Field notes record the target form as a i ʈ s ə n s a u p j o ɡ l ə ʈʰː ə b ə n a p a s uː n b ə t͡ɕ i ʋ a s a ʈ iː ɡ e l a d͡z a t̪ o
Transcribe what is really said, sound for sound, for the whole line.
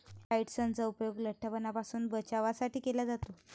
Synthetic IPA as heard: a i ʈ s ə n t͡s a u p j o ɡ l ə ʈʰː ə p ə n a p a s uː n b ə t͡ɕ a ʋ a s a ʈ iː k e l a d͡z a t̪ o

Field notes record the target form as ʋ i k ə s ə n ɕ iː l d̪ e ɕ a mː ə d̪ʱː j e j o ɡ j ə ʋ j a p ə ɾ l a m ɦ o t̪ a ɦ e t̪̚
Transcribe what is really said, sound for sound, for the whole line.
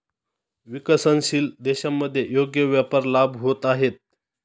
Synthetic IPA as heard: ʋ i k ə s ə n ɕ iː l d̪ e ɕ a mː ə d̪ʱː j e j o ɡ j ə ʋ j a p ə ɾ l a b ɦ o t̪ a ɦ e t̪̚

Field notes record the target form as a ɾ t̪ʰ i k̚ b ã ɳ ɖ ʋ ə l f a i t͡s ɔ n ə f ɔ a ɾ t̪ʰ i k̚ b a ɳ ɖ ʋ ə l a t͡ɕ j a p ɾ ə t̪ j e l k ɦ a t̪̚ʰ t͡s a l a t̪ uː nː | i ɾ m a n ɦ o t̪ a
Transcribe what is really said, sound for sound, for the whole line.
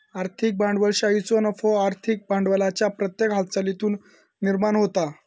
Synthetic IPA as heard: a ɾ t̪ʰ i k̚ b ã ɳ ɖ ʋ ə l ɕ a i t͡s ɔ n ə f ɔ a ɾ t̪ʰ i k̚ b a ɳ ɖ ʋ ə l a t͡ɕ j a p ɾ ə t̪ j e k ɦ a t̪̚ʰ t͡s a l i t̪ uː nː | i ɾ m a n ɦ o t̪ a

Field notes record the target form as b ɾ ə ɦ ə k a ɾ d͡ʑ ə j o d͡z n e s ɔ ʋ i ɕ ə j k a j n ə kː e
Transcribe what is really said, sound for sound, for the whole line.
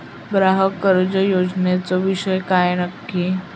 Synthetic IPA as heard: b ɾ a ɦ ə k ə ɾ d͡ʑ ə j o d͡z n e t͡s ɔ ʋ i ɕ ə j k a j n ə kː i

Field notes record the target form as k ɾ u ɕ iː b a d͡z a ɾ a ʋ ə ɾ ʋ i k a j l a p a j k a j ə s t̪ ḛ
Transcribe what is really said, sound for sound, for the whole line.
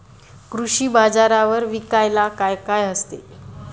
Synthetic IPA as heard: k ɾ u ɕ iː b a d͡z a ɾ a ʋ ə ɾ ʋ i k a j l a k a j k a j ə s t̪ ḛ

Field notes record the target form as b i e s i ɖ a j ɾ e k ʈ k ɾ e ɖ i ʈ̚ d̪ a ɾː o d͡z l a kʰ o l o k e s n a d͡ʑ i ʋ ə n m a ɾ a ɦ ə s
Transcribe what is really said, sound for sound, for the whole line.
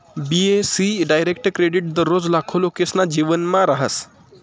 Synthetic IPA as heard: b i e s i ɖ a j ɾ e k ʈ k ɾ e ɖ i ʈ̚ d̪ ə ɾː o d͡z l a kʰ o l o k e s n a d͡ʑ i ʋ ə n m a ɾ a ɦ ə s

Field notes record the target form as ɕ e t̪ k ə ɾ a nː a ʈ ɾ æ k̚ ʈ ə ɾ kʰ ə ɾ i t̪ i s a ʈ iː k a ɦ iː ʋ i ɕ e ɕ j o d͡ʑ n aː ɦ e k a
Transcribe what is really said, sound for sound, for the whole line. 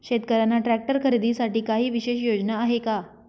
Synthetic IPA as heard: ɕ e t̪ k ə ɾ a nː a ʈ ɾ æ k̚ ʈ ə ɾ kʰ ə ɾ i d̪ i s a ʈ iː k a ɦ iː ʋ i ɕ e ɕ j o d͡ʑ n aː ɦ e k a

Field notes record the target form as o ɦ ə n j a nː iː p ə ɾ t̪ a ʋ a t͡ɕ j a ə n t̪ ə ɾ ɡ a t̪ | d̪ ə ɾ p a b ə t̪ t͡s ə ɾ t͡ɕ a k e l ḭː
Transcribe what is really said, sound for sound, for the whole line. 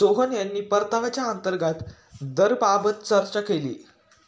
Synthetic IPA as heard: o ɦ ə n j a nː iː p ə ɾ t̪ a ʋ a t͡ɕ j a ə n t̪ ə ɾ ɡ a t̪ | d̪ ə ɾ p a b ə t̪ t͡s ə ɾ t͡ɕ a k e l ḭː

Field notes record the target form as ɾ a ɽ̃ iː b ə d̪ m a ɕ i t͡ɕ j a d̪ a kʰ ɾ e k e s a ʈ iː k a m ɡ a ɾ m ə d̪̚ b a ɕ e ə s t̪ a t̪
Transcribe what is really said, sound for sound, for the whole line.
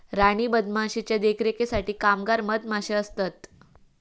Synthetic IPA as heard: ɾ a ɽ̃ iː b ə d̪ m a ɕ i t͡ɕ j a d̪ e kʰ ɾ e k e s a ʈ iː k a m ɡ a ɾ m ə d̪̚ m a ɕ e ə s t̪ a t̪

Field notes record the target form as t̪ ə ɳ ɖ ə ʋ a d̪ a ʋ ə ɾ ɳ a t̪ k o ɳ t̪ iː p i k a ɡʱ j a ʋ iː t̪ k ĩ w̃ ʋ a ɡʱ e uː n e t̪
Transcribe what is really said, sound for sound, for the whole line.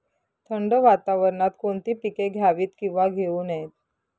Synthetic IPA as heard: t̪ʰ ə ɳ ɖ ə ʋ a t̪ a ʋ ə ɾ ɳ a t̪ k o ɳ t̪ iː p i k e ɡʱ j a ʋ iː t̪ k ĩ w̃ ʋ a ɡʱ e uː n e t̪

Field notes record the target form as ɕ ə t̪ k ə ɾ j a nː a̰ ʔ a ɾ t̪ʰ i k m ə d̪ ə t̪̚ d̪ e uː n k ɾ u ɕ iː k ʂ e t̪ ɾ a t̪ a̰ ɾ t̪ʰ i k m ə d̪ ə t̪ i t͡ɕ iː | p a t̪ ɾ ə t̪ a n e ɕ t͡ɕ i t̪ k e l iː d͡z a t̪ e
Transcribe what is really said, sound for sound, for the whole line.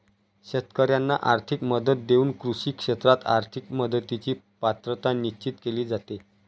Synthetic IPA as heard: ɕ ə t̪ k ə ɾ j a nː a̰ ʔ a ɾ t̪ʰ i k m ə d̪ ə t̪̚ d̪ e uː n k ɾ u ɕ iː k ʂ e t̪ ɾ a t̪ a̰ ɾ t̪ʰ i k m ə d̪ ə t̪ i t͡ɕ iː | p a t̪ ɾ ə t̪ a n i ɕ t͡ɕ i t̪ k e l iː d͡z a t̪ e

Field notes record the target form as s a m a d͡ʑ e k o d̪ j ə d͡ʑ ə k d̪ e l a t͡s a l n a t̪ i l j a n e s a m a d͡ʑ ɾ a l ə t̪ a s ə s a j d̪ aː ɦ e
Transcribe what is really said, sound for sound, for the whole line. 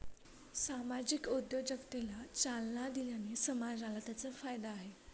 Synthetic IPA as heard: s a m a d͡ʑ i k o d̪ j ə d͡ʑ ə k t̪ e l a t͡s a l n a d̪ i l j a n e s ə m a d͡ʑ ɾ a l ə t̪ a t͡s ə f a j d̪ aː ɦ e

